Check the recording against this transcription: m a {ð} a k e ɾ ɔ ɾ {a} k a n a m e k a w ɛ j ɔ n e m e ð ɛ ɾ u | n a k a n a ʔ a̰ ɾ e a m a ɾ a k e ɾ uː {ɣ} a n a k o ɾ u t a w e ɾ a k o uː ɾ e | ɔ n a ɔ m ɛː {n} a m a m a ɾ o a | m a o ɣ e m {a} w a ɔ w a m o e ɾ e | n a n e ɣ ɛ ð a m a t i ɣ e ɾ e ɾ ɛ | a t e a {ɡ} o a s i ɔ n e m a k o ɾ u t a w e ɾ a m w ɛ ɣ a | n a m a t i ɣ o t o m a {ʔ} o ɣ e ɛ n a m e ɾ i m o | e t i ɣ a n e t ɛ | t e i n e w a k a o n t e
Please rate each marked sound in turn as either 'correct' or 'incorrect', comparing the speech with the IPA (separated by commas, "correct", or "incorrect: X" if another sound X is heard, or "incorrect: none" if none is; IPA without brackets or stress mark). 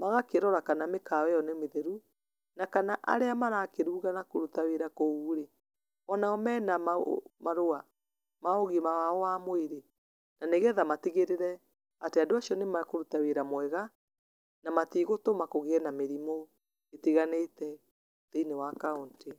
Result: incorrect: ɣ, correct, correct, correct, correct, incorrect: d, incorrect: k